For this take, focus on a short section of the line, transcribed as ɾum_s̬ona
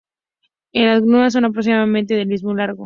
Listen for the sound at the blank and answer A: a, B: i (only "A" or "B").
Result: A